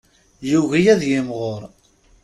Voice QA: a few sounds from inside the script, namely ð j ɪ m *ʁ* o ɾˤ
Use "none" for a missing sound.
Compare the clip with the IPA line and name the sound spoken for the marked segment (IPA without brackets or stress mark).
ʁ